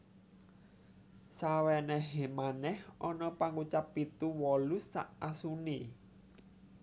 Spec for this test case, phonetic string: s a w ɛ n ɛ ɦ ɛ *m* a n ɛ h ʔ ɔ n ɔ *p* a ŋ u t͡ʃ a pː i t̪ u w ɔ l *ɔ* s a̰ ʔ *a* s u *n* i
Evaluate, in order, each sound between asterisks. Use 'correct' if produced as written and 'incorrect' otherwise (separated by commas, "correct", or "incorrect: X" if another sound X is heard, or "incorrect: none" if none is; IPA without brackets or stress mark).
correct, correct, incorrect: u, correct, correct